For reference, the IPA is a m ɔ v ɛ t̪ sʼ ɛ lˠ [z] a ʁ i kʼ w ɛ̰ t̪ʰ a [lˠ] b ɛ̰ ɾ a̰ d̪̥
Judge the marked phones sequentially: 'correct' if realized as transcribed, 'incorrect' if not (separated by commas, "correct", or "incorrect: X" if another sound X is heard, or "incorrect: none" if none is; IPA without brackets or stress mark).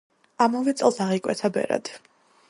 incorrect: s, incorrect: none